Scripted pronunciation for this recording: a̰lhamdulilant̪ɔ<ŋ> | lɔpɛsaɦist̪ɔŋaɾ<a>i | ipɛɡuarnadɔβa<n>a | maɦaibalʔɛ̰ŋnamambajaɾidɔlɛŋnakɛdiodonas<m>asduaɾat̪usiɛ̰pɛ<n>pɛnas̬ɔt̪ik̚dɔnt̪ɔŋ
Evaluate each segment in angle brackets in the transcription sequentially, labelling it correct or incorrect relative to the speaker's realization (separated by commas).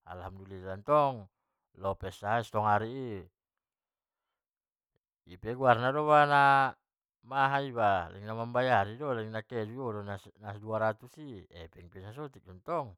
correct, incorrect, correct, incorrect, incorrect